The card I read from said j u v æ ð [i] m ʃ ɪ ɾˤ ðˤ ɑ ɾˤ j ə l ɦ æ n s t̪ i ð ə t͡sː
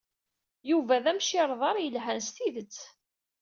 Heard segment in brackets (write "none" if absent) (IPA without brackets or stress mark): æ